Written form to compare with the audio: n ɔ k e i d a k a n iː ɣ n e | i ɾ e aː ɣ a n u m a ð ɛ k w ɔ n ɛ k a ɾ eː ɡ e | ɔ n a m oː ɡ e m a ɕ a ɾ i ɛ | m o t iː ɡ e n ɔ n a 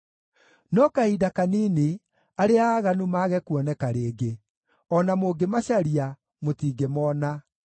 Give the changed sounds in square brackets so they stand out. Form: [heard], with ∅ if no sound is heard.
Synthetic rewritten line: n ɔ k [a] i d a k a n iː [∅] n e | [a] ɾ e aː ɣ a n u m a [ɣ] ɛ k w ɔ n ɛ k a ɾ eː ɡ e | ɔ n a m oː ɡ e m a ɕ a ɾ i [a] | m o t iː ɡ e [m] ɔ n a